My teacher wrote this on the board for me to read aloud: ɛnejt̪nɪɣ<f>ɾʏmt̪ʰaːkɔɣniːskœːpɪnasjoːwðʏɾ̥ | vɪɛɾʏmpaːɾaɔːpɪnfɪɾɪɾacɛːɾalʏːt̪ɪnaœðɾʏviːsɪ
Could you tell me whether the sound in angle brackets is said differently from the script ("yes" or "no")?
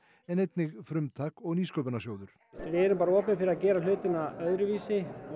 no